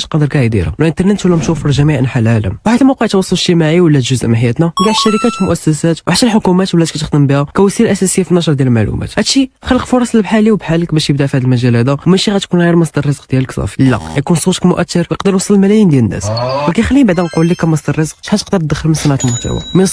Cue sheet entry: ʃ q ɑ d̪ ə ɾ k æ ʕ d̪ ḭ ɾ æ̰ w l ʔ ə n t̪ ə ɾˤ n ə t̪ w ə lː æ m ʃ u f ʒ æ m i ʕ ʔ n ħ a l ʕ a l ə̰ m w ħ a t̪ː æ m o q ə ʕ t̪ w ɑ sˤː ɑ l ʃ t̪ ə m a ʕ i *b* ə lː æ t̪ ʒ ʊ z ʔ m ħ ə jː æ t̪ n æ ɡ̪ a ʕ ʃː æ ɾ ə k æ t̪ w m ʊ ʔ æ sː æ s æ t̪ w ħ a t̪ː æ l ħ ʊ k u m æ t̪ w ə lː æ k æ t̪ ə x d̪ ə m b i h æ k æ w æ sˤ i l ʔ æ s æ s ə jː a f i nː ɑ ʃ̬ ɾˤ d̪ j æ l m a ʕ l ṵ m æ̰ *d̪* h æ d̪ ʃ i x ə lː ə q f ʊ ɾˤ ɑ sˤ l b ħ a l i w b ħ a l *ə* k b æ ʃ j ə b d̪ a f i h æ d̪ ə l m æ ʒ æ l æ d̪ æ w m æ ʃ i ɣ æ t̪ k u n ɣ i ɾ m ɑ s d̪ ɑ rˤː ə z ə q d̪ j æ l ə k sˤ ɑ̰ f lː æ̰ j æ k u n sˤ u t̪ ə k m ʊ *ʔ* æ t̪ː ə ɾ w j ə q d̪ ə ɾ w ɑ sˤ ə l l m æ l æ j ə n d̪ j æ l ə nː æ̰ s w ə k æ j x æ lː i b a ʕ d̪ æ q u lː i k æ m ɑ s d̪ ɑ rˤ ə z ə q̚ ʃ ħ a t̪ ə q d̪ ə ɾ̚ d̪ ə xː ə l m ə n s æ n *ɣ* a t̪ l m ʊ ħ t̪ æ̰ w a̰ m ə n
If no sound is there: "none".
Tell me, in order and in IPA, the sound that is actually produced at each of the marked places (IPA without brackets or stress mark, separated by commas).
w, t̪, ə, ʔ, ʕ